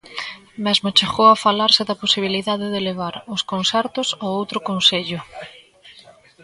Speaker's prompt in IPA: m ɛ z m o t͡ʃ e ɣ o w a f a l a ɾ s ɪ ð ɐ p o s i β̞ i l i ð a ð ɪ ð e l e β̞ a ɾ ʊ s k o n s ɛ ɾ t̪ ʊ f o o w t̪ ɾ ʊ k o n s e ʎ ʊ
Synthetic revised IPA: m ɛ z m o t͡ʃ e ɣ o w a f a l a ɾ s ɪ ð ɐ p o s i β̞ i l i ð a ð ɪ ð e l e β̞ a ɾ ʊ s k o n s ɛ ɾ t̪ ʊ s o o w t̪ ɾ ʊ k o n s e ʎ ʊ